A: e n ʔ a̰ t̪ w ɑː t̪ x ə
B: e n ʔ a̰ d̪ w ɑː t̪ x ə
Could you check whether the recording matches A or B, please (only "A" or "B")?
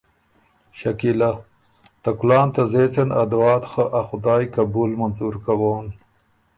B